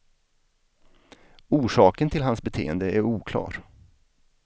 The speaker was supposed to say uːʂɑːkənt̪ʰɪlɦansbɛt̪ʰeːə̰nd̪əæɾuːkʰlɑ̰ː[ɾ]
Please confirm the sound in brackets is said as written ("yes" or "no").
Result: yes